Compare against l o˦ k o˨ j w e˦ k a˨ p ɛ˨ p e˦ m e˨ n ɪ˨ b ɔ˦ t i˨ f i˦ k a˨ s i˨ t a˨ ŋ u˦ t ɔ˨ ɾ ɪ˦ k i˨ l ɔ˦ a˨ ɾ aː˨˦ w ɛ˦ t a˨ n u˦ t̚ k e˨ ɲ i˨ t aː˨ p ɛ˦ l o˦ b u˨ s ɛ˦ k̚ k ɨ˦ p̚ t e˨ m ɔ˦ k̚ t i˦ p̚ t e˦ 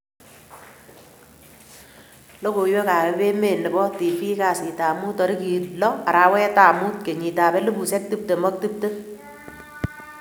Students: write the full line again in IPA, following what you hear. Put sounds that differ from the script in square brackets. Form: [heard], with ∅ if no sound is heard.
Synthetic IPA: l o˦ k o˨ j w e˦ k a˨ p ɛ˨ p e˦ m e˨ n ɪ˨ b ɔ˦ t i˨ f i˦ k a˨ s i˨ t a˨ [m] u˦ t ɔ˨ ɾ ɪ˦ k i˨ l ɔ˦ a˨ ɾ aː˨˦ w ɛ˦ t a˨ [m] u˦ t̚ k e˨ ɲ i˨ t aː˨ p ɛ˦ l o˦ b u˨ s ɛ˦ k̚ [t] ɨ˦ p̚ t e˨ m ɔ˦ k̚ t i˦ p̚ t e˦